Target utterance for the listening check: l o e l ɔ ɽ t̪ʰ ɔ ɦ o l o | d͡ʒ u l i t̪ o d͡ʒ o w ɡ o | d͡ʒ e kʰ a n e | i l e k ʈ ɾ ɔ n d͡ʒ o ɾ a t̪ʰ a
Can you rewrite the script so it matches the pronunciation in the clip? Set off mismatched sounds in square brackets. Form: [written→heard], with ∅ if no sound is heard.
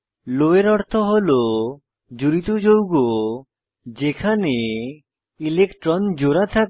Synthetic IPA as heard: l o e [l→ɾ] ɔ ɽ t̪ʰ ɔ ɦ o l o | d͡ʒ u [l→ɾ] i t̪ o d͡ʒ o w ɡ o | d͡ʒ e kʰ a n e | i l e k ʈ ɾ ɔ n d͡ʒ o ɾ a t̪ʰ a